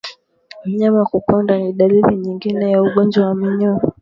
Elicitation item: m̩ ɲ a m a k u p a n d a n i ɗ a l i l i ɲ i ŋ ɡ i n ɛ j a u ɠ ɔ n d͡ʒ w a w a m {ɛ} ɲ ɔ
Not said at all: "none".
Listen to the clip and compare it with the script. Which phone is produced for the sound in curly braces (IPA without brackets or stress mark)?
i